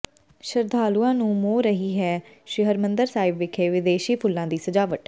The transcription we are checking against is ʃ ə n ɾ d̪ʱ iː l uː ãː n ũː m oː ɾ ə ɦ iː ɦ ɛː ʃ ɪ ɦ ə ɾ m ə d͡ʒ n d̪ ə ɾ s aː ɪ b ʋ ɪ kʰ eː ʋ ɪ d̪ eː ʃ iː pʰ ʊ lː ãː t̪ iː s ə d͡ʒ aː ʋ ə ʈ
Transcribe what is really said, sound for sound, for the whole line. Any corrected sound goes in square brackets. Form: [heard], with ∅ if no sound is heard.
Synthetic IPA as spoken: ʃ ə [∅] ɾ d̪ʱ [aː] l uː ãː n ũː m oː ɾ ə ɦ iː ɦ ɛː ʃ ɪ ɦ ə ɾ m ə [∅] n d̪ ə ɾ s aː ɪ b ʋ ɪ kʰ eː ʋ ɪ d̪ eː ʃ iː pʰ ʊ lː ãː [d̪] iː s ə d͡ʒ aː ʋ ə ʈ